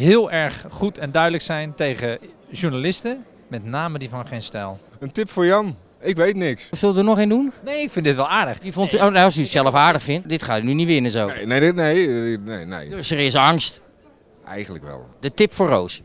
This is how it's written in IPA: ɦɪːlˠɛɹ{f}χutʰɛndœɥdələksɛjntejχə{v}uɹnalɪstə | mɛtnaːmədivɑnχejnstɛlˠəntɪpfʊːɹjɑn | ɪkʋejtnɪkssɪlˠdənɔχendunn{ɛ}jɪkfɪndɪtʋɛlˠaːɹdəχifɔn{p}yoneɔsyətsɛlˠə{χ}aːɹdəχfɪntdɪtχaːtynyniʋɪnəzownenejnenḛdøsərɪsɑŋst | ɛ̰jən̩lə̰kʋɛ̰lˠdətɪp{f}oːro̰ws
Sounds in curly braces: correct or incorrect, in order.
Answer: incorrect: χ, incorrect: ʒ, incorrect: e, incorrect: t, incorrect: f, correct

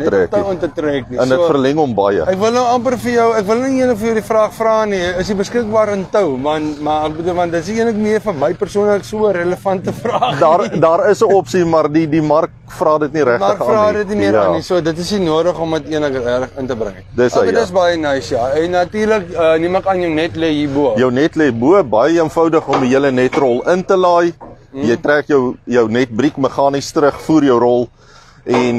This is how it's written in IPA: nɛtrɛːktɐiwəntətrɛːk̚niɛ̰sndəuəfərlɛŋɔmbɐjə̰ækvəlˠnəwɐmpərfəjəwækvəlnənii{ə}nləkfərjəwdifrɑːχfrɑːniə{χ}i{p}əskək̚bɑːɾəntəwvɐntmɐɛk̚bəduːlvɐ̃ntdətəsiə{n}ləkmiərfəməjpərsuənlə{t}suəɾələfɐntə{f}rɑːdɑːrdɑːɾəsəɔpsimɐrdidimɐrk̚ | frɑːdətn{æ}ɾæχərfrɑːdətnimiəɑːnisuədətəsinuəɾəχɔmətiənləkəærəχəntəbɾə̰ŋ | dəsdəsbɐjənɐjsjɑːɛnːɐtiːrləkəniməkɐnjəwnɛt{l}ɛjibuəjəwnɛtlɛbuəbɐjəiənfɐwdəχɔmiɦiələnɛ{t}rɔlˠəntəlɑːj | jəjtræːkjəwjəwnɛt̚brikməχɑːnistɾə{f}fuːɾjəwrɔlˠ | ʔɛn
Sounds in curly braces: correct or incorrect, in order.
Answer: correct, incorrect: s, incorrect: b, correct, incorrect: k, correct, incorrect: i, correct, correct, incorrect: χ

